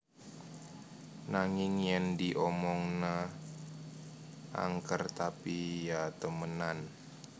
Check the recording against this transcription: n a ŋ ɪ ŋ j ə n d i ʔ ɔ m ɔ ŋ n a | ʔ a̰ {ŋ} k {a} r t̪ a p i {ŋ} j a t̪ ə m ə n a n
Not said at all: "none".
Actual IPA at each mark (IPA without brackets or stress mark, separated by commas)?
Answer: ŋ, ə, none